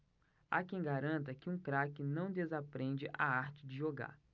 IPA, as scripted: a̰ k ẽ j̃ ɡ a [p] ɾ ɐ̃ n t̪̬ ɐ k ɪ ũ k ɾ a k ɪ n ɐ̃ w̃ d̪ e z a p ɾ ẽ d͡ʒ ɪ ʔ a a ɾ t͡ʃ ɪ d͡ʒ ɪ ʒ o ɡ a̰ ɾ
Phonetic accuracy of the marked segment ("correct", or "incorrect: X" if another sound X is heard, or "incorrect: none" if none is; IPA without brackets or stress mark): incorrect: none